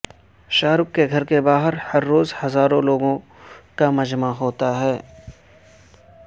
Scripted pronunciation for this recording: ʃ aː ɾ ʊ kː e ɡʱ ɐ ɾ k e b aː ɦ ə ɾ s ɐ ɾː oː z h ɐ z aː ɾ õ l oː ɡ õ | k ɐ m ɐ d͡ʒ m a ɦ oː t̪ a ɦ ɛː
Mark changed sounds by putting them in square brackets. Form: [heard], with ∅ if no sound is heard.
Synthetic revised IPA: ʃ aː ɾ ʊ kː e ɡʱ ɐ ɾ k e b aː ɦ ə ɾ [h] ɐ ɾː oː z h ɐ z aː ɾ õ l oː ɡ õ | k [a] m ɐ d͡ʒ m a ɦ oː t̪ a ɦ ɛː